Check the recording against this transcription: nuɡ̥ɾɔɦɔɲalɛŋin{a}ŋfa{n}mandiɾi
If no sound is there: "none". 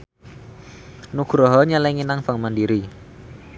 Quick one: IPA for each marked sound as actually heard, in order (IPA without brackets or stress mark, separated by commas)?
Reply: a, ŋ